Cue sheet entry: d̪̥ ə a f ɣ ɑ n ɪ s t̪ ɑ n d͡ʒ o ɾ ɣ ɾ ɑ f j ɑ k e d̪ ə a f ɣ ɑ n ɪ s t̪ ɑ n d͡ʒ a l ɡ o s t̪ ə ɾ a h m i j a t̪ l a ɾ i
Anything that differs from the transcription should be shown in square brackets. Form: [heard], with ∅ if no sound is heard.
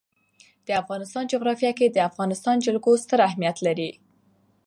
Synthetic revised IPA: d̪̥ ə a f ɣ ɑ n ɪ s t̪ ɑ n d͡ʒ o [∅] ɣ ɾ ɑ f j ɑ k e d̪ ə a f ɣ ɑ n ɪ s t̪ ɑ n d͡ʒ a l ɡ o s t̪ ə ɾ a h m i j a t̪ l a ɾ i